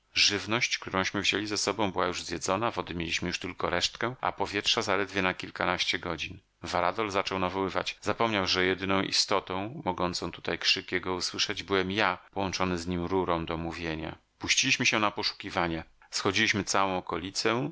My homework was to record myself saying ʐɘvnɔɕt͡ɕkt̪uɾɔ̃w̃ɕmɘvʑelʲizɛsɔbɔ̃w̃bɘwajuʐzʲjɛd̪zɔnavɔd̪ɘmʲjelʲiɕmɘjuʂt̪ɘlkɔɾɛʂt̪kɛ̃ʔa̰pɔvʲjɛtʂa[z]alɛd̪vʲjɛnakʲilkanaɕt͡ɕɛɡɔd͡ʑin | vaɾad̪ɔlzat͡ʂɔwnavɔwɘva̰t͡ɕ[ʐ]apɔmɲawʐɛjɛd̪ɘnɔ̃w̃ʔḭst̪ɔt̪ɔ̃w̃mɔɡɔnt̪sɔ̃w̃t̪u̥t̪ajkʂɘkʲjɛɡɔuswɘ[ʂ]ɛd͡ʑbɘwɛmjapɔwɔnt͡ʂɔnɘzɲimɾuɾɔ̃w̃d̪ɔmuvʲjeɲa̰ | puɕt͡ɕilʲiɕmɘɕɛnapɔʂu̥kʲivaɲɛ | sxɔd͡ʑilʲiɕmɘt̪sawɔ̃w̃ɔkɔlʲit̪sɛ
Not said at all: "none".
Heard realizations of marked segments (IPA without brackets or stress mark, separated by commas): z, z, ʂ